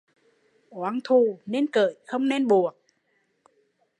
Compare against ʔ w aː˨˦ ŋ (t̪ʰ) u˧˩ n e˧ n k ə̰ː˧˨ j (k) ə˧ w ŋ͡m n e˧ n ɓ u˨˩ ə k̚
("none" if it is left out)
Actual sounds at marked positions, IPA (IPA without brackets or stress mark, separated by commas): t̪ʰ, x